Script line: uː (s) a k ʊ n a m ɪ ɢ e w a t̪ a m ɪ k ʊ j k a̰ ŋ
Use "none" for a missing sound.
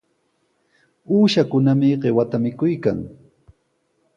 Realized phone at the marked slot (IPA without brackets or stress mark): ʃ